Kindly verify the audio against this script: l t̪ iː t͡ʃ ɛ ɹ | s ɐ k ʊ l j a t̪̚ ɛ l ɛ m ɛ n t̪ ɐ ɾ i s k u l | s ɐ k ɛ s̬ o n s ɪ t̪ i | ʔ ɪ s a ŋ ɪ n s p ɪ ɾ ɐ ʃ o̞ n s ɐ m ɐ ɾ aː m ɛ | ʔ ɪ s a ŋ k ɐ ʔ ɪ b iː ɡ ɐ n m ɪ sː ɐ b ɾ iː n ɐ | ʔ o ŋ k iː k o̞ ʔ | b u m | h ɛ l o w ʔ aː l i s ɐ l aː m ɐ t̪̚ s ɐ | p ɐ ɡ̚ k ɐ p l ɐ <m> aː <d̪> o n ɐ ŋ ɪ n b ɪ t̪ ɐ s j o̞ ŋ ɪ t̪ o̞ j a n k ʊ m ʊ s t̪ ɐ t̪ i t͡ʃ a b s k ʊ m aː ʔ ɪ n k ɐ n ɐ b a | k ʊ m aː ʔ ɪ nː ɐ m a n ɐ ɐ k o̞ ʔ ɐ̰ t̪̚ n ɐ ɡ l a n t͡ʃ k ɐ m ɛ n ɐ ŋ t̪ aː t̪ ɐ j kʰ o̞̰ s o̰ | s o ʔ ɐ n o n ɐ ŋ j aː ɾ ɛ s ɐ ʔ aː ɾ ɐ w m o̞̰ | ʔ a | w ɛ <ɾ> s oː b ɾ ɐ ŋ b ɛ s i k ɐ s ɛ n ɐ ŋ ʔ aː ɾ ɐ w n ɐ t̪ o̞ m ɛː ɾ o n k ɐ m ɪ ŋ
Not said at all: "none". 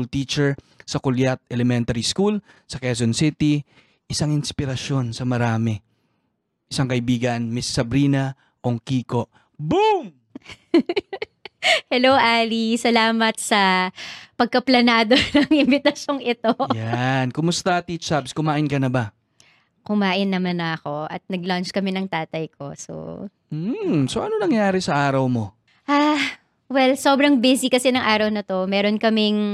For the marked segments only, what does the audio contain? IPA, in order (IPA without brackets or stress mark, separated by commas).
n, d̪, l